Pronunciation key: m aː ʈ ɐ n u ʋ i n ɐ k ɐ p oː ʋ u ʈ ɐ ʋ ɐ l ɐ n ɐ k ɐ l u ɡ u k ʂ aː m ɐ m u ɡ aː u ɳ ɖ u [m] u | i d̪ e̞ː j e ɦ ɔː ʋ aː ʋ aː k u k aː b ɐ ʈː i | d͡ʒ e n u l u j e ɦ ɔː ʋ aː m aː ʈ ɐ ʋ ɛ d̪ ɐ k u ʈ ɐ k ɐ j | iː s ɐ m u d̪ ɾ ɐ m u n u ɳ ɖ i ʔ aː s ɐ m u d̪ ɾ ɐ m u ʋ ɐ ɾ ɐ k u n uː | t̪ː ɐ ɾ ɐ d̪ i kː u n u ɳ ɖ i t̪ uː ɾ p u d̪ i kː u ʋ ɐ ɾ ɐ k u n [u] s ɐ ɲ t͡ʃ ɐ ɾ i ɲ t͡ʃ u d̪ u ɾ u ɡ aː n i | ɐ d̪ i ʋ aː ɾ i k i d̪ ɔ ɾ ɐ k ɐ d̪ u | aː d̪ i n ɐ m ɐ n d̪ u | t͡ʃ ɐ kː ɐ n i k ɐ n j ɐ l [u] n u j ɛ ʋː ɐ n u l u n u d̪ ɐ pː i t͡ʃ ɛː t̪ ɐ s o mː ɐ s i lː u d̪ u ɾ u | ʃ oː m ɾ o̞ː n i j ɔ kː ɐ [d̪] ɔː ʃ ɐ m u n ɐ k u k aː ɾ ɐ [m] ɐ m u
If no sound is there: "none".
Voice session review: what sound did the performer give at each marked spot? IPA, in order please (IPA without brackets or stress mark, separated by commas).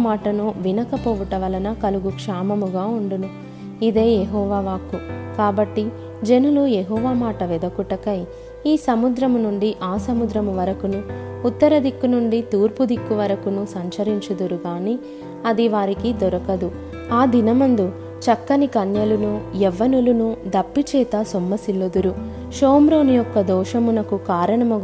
n, u, u, d̪, ɳ